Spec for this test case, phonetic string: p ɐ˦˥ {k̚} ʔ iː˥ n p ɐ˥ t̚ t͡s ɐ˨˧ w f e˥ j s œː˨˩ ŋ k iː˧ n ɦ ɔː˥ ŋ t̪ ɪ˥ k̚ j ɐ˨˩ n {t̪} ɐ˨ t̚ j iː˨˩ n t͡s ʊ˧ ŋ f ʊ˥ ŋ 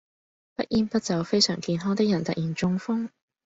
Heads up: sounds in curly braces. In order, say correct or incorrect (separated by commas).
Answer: incorrect, correct